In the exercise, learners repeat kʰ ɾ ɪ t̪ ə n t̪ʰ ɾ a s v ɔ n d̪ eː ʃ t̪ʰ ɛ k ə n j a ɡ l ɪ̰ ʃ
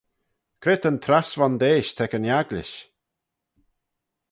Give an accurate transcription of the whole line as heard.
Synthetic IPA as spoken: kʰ ɾ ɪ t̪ ə n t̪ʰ ɾ a s v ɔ n d̪ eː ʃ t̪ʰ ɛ k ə n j a ɡ l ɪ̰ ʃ